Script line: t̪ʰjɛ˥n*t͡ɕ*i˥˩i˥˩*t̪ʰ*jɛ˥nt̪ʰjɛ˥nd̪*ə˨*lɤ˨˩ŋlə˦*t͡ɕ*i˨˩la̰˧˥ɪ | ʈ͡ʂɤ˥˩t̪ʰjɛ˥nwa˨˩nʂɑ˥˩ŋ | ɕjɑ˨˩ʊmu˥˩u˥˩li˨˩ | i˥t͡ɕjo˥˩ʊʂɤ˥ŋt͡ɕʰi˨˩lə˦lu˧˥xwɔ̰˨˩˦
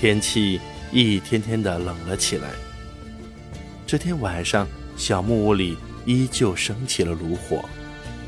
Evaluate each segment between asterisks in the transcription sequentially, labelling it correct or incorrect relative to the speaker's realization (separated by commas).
incorrect, correct, correct, incorrect